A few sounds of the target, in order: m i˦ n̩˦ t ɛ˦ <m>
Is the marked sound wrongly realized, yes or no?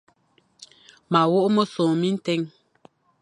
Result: yes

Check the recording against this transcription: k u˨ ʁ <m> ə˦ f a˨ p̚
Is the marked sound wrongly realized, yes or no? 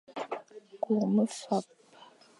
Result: no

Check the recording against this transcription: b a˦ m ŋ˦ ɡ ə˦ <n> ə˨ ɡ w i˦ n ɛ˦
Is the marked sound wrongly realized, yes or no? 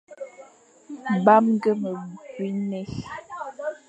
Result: yes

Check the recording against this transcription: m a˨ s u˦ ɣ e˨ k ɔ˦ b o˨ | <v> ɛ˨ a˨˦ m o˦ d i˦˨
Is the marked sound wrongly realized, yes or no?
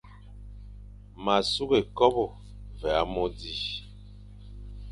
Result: no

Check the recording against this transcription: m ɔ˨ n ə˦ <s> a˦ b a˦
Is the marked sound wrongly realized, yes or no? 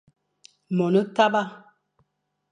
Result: yes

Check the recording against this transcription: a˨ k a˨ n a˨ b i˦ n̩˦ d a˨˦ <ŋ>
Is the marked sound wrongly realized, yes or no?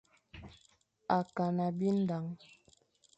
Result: no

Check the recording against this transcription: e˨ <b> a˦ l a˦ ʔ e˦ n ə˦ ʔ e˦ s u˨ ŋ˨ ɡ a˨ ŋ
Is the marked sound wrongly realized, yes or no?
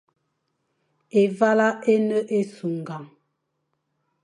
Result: yes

